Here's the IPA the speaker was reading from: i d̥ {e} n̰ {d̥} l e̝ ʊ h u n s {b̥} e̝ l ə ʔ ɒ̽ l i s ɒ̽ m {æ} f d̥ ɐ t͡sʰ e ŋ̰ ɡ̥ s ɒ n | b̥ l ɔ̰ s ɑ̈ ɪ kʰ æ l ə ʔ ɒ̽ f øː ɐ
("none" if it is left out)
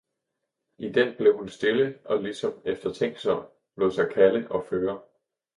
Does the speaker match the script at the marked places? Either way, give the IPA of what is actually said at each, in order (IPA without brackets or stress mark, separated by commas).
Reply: e, b̥, d̥, e